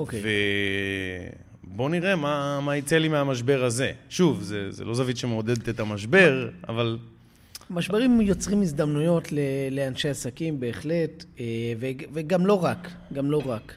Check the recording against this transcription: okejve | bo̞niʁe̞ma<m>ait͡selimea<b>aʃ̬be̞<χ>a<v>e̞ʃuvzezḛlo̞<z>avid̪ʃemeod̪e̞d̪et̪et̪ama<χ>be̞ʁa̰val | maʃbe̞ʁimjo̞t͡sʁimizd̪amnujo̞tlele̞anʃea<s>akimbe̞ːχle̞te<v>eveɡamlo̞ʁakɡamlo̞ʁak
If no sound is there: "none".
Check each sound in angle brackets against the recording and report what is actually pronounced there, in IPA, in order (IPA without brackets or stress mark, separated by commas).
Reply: m, m, ʁ, z, z, ʃ, s, v